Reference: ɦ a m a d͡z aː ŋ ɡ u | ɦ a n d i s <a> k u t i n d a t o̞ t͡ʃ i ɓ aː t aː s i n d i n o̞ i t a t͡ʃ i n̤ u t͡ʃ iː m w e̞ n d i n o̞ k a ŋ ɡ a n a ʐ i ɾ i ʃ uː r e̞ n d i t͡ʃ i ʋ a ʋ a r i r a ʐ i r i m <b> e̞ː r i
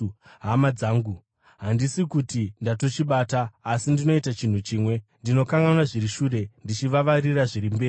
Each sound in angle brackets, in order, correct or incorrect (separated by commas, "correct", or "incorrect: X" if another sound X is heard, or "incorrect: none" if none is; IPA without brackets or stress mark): incorrect: i, correct